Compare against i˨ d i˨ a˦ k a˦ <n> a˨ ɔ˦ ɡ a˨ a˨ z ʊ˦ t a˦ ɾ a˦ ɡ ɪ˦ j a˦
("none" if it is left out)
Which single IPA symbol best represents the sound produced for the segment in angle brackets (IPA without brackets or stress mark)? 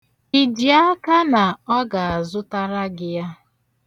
n